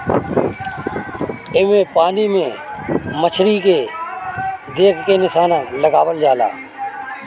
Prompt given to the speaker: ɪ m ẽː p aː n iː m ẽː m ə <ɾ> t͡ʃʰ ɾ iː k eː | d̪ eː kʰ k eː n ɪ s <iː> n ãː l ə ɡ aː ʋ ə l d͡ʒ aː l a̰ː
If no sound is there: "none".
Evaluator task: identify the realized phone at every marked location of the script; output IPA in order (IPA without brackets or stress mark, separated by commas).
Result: none, aː